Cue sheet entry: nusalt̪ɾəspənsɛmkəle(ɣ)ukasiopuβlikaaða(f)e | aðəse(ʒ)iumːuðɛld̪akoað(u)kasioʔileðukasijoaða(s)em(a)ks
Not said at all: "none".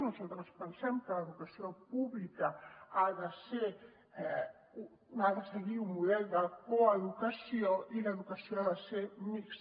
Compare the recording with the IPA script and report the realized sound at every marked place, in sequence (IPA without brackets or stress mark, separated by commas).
ð, s, ɣ, u, s, i